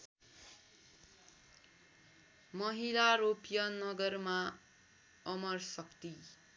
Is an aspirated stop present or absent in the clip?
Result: absent